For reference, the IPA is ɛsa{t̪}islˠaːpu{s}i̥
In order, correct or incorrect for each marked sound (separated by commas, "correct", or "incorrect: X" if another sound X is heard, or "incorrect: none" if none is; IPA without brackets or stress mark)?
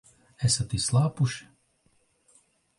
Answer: correct, incorrect: ʃ